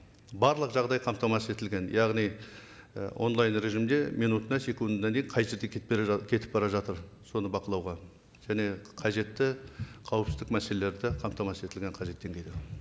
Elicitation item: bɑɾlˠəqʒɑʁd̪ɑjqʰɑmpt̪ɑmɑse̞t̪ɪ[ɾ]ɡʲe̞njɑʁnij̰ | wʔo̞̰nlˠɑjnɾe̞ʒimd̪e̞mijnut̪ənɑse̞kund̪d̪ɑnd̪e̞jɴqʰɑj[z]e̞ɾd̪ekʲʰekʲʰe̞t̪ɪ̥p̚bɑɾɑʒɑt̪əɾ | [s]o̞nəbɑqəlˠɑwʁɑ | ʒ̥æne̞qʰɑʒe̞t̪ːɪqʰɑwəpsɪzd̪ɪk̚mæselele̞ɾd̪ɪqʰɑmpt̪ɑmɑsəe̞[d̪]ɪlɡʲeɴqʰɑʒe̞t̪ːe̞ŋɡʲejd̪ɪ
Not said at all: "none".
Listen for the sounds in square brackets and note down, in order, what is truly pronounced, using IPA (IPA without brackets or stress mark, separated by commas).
l, ʒ, s, t̪